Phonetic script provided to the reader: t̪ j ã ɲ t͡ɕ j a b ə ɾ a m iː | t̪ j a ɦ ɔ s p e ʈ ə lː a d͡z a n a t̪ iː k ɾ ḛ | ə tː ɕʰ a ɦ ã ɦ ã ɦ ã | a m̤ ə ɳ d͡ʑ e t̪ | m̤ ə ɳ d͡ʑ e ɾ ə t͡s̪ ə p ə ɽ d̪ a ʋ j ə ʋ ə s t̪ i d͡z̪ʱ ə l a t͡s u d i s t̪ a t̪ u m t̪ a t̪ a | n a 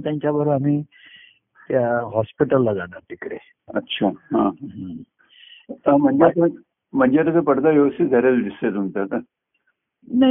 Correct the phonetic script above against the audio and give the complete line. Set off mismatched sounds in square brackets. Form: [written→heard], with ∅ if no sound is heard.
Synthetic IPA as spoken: t̪ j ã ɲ t͡ɕ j a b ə ɾ a m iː | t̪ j a ɦ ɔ s p [e→i] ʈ ə lː a d͡z a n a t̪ [iː→i] k ɾ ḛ | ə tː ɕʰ a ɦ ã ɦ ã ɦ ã | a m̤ ə ɳ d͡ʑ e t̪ | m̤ ə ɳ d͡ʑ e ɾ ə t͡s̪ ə p ə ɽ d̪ a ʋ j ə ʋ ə s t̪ i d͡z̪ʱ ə [l→ɾ] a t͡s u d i s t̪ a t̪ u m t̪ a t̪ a | n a